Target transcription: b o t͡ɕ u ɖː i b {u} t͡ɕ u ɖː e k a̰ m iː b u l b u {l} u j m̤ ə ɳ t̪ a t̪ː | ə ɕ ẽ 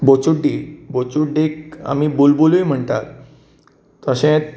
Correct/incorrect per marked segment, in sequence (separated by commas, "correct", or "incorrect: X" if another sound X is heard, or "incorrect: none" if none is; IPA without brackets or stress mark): incorrect: o, correct